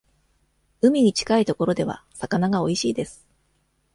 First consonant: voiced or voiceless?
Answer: voiced